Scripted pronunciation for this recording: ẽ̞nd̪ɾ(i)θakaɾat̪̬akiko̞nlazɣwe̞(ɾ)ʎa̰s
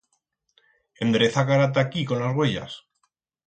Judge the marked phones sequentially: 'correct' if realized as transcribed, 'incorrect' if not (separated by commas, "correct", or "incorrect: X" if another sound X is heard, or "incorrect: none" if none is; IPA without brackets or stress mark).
incorrect: e, incorrect: none